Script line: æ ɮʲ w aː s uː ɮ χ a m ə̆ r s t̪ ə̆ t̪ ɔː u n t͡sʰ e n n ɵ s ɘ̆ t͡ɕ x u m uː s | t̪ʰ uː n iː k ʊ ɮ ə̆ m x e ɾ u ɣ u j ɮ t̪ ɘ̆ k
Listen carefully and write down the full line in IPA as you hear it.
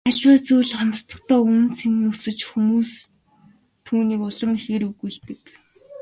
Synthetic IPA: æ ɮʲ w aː t͡s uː ɮ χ a m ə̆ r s t̪ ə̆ t̪ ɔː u n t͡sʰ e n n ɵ s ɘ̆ t͡ɕ x u m uː s | t̪ʰ uː n iː k ʊ ɮ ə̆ m x e ɾ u ɣ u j ɮ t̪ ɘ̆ k

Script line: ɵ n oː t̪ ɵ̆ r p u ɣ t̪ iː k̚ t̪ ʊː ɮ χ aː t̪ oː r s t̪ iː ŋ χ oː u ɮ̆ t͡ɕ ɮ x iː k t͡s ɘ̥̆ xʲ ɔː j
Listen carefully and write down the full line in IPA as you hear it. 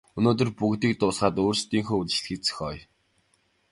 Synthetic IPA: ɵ n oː t̪ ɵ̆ r p u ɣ t̪ iː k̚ t̪ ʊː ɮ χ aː t̪ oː r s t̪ iː ŋ x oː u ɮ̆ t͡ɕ ɮ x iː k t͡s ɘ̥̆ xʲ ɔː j

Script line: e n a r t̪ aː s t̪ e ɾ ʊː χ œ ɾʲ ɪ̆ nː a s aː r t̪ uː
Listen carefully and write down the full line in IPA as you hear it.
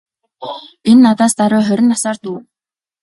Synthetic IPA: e nː a t̪ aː s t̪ a ɾ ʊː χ œ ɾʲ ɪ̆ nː a s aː r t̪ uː

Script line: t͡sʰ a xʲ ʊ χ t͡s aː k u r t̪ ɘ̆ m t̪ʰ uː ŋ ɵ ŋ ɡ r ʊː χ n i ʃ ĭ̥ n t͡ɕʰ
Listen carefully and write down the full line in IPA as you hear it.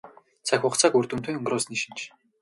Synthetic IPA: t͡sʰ a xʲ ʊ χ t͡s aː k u r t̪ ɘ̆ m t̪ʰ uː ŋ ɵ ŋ ɡ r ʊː s n i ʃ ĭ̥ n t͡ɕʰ

